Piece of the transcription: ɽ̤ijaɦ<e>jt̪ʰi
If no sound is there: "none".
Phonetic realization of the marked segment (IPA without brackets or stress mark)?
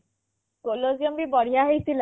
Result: e